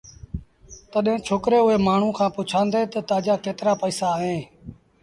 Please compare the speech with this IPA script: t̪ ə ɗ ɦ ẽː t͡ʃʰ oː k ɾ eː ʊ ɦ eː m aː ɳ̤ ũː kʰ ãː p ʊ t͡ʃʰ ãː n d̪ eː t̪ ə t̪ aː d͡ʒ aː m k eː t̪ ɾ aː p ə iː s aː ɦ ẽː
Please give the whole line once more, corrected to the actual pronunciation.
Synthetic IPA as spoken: t̪ ə ɗ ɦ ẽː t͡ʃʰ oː k ɾ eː ʊ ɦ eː m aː ɳ̤ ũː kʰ ãː p ʊ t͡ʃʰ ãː n d̪ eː t̪ ə t̪ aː d͡ʒ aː k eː t̪ ɾ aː p ə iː s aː ɦ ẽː